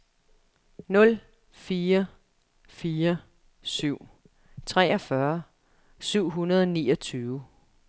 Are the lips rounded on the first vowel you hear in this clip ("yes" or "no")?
yes